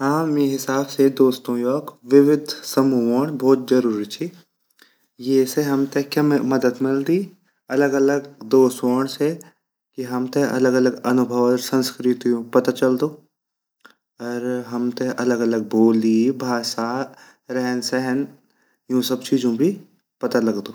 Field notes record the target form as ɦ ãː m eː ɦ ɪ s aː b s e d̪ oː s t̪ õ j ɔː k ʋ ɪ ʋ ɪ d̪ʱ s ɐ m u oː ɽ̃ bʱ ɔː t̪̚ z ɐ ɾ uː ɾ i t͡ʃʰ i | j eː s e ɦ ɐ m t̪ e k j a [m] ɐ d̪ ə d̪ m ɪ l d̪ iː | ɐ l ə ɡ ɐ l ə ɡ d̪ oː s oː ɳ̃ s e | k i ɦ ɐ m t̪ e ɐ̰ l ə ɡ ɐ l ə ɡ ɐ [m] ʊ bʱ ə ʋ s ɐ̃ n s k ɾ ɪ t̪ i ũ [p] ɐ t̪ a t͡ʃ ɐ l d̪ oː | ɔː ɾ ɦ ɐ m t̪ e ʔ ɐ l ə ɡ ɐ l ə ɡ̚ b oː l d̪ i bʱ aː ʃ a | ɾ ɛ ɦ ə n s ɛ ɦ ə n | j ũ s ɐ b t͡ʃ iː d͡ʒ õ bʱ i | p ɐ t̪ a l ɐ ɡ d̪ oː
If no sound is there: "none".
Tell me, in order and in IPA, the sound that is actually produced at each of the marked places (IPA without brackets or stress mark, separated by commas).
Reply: m, n, p